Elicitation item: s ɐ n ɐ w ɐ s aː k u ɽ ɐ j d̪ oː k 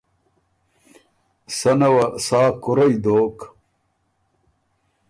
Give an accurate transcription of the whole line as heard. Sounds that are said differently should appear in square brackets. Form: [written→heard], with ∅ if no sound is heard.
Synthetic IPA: s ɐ n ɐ w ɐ s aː k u [ɽ→ɾ] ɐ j d̪ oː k